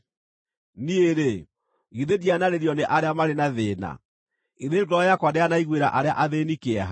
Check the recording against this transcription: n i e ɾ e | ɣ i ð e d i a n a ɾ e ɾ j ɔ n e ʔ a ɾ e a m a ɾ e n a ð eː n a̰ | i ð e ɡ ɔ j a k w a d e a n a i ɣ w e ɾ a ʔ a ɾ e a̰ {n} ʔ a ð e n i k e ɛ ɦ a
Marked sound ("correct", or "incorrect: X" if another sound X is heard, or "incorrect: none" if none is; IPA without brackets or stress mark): incorrect: none